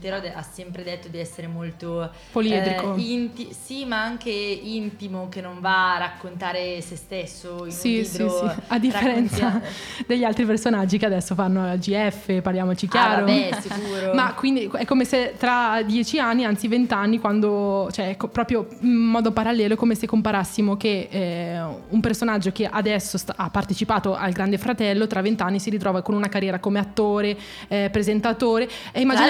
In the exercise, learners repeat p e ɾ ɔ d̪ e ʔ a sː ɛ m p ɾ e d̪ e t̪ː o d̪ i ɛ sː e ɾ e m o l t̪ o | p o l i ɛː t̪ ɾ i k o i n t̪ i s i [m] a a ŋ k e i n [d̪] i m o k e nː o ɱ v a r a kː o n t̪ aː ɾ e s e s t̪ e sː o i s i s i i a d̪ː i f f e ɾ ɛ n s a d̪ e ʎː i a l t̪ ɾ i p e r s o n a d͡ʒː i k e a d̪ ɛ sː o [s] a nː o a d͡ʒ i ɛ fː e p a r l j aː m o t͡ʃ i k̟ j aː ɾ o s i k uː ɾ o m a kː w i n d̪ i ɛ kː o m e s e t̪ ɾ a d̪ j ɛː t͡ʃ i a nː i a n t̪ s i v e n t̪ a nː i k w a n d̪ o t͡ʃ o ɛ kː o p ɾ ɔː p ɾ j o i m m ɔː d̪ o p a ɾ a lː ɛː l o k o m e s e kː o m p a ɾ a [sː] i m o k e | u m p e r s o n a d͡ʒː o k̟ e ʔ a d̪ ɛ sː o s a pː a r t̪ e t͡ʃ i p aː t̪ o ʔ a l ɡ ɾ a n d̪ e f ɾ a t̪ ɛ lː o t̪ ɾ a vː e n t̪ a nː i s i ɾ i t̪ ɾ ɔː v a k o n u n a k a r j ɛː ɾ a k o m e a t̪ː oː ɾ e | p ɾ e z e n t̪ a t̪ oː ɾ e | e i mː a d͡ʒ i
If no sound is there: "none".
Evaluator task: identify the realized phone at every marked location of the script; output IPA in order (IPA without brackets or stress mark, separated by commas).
m, t̪, f, sː